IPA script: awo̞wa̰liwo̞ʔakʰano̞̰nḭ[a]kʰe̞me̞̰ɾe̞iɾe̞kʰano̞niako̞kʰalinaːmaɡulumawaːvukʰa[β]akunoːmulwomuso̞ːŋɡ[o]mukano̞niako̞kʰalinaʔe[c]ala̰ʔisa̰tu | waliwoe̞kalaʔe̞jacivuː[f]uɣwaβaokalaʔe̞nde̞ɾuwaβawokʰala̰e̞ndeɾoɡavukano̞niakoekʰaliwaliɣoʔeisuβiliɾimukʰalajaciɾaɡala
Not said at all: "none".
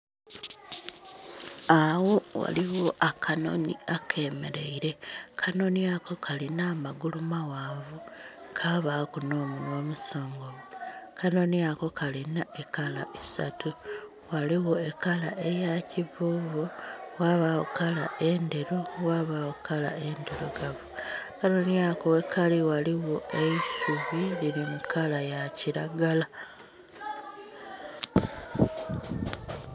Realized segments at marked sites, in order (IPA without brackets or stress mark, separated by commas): a, β, o, k, v